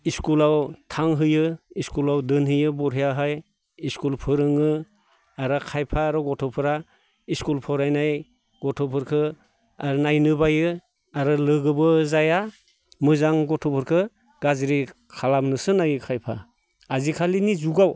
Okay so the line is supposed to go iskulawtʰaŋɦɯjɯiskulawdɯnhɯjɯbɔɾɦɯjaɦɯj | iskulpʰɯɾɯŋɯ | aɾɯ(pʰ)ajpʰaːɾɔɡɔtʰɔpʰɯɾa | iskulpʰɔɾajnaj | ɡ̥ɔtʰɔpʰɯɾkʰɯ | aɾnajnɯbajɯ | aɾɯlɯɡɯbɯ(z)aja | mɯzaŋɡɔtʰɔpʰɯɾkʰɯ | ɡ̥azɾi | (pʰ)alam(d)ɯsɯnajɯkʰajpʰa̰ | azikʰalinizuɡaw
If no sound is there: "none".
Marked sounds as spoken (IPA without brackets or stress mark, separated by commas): kʰ, z, kʰ, n